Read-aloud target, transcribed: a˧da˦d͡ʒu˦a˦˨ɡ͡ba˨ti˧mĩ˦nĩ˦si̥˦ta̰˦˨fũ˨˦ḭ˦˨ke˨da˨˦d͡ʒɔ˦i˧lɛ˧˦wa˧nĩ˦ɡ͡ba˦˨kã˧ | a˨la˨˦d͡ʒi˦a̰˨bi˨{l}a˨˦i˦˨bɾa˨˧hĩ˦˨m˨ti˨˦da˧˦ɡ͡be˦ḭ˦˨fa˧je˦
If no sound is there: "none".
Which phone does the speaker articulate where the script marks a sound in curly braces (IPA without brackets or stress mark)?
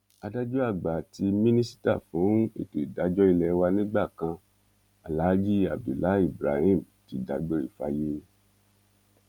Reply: l